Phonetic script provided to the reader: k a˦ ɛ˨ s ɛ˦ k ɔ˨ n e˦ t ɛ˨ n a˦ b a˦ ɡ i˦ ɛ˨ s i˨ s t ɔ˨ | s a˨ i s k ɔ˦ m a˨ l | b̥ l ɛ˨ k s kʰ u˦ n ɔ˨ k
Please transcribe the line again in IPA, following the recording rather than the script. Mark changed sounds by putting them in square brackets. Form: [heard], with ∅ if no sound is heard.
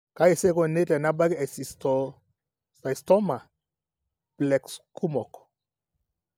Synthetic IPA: k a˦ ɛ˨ s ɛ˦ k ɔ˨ n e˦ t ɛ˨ n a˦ b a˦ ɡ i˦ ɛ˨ s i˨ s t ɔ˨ | s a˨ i s [t] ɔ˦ m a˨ [∅] | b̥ l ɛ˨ k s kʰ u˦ [m] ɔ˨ k